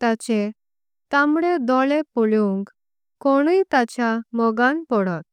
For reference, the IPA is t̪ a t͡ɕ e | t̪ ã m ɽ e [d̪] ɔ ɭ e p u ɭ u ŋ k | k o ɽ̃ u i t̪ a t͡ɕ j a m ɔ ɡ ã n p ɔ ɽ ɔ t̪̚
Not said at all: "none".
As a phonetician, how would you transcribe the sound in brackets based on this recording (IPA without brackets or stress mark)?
d̪